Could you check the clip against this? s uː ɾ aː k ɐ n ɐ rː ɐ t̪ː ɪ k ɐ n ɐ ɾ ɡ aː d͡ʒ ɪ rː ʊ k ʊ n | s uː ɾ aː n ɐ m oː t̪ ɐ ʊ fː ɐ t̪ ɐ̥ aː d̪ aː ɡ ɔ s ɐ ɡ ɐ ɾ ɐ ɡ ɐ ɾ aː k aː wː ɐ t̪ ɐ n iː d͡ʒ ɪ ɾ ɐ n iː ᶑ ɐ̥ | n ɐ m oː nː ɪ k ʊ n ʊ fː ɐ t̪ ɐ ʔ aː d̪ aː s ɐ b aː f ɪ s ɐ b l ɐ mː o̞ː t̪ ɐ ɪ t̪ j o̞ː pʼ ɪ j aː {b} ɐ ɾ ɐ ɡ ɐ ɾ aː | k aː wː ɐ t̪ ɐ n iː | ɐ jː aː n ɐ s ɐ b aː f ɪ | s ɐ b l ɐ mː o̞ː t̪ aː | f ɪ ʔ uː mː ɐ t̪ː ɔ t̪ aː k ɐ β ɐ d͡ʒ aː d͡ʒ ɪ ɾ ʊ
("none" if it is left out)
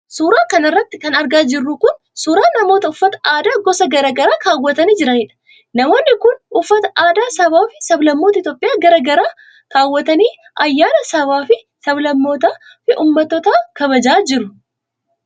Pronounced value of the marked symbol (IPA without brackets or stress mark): ɡ